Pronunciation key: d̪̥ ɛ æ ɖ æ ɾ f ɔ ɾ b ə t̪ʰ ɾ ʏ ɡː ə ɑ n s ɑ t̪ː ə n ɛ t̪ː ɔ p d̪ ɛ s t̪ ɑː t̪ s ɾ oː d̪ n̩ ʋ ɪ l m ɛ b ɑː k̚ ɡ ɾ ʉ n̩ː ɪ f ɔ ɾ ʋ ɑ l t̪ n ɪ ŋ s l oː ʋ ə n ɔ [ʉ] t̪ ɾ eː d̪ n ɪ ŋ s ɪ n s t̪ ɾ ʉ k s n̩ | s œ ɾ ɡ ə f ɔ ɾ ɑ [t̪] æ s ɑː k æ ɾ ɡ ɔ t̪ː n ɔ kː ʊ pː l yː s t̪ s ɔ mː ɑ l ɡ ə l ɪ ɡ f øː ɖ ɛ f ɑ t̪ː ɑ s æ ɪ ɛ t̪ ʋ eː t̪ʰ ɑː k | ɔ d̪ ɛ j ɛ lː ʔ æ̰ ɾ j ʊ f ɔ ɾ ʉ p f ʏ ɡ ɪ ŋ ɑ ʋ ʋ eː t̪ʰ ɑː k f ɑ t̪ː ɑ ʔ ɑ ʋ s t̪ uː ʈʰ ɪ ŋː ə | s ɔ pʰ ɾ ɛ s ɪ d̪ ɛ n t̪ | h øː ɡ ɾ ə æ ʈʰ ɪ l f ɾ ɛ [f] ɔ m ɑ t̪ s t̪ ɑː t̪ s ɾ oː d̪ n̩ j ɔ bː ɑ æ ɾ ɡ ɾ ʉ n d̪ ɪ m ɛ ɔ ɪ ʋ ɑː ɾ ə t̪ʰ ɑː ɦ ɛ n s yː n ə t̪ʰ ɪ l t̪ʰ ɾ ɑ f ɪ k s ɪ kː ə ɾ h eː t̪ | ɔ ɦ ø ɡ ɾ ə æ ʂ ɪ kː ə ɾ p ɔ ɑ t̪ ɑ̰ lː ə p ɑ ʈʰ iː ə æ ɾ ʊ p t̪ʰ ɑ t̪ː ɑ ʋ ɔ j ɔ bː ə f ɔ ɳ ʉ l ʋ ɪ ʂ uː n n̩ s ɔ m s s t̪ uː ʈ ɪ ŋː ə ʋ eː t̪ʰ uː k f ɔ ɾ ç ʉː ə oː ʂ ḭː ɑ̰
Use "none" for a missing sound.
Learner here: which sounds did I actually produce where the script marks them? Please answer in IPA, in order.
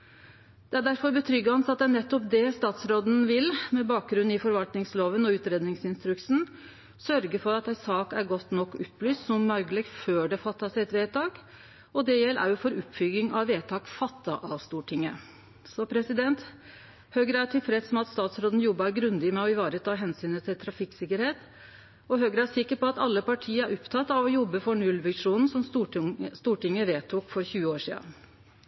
ʉː, t̪, s

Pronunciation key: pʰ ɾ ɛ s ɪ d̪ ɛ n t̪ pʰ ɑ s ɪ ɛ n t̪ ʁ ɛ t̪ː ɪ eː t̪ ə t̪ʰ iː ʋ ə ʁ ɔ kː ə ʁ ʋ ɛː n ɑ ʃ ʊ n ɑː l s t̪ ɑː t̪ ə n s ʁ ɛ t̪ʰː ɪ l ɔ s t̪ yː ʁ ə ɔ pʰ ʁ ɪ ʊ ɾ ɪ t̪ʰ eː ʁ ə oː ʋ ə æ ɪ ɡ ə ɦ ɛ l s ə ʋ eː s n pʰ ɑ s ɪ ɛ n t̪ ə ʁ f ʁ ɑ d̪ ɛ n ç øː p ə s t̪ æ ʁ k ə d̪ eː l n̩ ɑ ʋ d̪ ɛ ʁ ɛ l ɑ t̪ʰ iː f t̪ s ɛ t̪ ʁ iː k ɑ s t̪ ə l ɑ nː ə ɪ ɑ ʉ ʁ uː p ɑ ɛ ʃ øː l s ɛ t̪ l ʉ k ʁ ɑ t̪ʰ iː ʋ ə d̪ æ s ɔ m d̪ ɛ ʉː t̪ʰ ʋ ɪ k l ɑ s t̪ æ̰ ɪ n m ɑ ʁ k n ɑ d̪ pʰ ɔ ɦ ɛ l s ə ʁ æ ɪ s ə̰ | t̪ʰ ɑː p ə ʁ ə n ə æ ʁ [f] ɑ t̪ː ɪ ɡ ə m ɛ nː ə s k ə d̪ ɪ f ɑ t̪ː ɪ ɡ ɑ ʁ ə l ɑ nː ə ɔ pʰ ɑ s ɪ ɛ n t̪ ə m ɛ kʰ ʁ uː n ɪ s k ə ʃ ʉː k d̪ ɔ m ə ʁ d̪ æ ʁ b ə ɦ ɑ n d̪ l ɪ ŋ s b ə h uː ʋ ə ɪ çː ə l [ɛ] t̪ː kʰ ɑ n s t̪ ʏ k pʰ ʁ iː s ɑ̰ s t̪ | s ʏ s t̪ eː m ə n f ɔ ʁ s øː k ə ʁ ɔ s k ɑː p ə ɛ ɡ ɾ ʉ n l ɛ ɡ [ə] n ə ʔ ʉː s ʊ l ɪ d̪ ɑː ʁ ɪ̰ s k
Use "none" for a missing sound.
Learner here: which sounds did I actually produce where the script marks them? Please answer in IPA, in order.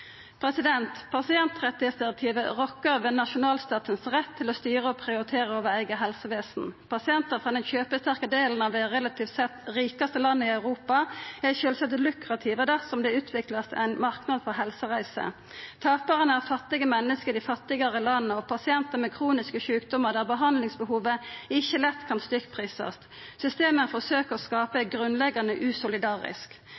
f, ɛ, ɑ

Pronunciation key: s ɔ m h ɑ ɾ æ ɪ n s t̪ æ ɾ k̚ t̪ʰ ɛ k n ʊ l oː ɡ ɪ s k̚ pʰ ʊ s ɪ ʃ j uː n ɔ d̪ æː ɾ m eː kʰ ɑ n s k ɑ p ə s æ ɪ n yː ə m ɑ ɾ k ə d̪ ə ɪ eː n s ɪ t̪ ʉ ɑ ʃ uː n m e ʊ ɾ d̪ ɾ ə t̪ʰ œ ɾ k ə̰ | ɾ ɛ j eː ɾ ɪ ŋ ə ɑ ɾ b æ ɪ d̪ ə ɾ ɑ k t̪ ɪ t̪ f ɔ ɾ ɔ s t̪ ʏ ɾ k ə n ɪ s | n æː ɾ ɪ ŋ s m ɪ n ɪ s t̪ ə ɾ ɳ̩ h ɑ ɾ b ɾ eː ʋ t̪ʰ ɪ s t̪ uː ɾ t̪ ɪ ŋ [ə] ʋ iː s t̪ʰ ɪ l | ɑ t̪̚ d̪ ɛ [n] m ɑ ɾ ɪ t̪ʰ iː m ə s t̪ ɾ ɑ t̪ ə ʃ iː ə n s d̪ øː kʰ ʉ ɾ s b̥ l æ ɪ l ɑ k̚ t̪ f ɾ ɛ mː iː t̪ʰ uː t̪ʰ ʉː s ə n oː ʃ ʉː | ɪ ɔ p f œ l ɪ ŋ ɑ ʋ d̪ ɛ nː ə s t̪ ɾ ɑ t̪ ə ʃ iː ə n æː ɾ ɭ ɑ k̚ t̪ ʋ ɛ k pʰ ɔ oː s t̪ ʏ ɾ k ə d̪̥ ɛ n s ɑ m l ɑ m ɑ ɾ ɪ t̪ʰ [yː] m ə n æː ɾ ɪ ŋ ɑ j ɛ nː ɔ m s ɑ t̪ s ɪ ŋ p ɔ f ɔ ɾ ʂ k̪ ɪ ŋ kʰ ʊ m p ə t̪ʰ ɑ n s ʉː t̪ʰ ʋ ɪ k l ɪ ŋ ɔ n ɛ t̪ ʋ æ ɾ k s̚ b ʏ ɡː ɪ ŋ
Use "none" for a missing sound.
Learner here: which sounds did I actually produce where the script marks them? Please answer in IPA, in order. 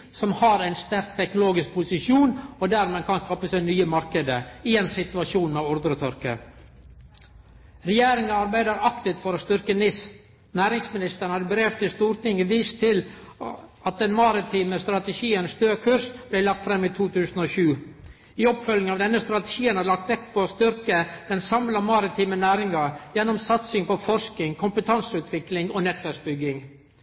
ə, n, iː

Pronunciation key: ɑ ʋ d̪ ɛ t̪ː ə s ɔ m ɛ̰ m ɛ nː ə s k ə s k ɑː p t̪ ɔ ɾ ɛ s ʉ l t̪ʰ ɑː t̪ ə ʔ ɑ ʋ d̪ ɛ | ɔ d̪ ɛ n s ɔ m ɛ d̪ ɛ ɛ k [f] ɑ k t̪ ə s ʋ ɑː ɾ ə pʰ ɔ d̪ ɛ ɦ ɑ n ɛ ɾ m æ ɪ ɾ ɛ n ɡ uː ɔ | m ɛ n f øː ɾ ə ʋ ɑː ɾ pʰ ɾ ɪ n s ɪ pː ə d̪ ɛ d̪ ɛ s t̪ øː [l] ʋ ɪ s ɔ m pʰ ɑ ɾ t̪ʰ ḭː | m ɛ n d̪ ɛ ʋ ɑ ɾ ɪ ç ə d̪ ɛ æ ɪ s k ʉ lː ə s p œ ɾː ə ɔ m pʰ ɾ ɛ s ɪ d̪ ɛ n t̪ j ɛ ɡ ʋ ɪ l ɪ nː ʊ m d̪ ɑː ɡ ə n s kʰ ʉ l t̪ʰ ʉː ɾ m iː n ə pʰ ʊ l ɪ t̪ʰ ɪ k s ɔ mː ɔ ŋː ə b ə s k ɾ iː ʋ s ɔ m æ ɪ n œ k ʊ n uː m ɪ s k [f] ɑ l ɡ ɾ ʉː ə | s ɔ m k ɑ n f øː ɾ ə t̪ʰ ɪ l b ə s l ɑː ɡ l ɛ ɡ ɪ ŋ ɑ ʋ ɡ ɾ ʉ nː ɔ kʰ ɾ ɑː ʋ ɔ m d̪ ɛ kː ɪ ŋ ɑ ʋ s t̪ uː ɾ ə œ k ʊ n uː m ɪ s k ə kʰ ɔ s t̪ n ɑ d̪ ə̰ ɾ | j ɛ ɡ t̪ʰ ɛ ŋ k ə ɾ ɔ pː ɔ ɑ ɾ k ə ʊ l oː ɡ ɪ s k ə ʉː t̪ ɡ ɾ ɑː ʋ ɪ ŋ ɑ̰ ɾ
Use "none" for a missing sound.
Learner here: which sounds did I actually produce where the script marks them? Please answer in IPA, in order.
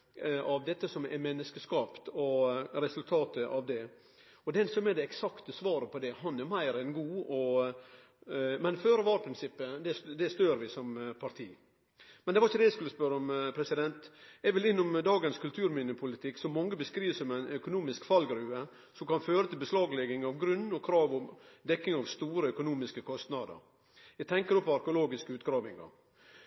s, ɾ, f

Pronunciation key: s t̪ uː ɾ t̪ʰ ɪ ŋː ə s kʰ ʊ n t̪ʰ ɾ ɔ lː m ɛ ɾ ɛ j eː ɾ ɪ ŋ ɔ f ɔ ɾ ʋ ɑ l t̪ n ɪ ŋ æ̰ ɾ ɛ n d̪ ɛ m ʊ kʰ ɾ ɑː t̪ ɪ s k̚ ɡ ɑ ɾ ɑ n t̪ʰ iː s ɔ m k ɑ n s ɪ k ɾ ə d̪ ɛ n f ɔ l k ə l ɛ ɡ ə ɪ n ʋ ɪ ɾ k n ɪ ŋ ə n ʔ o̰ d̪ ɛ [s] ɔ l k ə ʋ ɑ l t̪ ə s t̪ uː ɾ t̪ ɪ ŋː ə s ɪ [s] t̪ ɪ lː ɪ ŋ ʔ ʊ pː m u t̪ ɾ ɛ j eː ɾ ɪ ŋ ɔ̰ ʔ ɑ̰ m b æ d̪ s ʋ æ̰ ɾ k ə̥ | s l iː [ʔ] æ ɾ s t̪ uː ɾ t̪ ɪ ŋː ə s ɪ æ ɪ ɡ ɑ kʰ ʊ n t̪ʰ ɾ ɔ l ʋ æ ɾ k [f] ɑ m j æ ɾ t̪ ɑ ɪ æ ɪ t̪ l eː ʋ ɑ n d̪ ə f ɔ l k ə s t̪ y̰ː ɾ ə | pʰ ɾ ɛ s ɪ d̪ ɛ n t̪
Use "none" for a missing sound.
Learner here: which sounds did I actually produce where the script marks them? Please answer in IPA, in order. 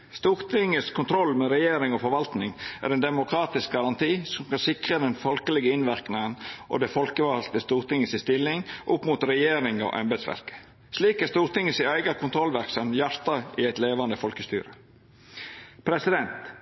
f, s, k, s

